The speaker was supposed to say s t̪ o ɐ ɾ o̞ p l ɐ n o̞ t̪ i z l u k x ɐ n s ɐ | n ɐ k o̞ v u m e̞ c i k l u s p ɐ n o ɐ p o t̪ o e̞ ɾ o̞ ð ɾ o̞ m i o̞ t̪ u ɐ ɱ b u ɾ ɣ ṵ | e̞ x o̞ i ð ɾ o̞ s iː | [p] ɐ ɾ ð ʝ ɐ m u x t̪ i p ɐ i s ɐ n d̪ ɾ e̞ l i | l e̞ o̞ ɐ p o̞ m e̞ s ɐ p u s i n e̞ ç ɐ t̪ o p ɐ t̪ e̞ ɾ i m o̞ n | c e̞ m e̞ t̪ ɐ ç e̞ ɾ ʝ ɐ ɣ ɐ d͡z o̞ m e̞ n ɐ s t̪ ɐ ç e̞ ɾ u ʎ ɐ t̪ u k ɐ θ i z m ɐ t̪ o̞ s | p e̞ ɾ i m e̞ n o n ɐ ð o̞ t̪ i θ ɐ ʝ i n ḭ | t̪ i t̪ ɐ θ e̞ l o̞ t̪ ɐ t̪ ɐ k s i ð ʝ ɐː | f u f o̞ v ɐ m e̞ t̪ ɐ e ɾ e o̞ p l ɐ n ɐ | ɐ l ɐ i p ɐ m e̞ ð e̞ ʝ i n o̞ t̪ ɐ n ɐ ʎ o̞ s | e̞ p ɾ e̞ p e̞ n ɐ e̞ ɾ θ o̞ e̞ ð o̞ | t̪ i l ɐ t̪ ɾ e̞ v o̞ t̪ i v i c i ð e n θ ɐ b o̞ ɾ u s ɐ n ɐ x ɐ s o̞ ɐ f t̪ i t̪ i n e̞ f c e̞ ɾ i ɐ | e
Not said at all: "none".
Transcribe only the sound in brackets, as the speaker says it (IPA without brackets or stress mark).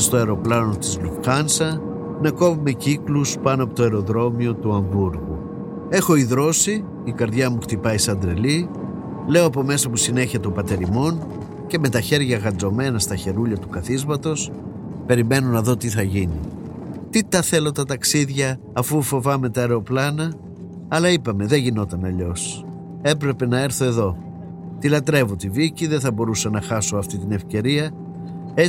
k